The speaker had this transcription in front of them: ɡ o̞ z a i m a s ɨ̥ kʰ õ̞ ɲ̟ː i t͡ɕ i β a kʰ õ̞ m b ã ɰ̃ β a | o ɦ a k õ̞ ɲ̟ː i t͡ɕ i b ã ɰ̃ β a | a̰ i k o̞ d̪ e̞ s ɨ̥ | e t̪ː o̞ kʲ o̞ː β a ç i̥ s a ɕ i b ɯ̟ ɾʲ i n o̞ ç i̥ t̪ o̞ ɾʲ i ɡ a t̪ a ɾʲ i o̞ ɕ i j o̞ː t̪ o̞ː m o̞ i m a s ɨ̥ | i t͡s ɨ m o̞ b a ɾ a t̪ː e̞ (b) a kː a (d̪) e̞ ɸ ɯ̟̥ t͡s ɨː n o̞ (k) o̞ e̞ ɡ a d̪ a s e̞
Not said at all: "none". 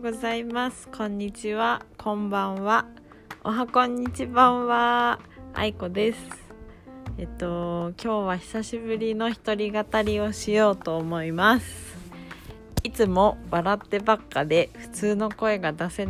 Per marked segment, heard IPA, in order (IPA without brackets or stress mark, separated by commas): b, d̪, k